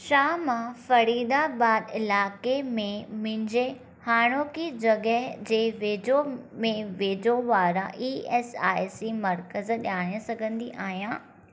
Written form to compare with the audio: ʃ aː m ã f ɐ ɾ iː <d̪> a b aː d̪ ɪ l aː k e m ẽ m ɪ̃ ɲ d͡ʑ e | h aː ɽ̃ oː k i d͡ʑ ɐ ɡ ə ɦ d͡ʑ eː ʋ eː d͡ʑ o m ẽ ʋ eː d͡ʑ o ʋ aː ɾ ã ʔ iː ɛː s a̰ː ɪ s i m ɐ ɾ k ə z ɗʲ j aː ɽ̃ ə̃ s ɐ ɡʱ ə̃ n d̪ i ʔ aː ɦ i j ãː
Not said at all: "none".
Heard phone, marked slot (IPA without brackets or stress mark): d̪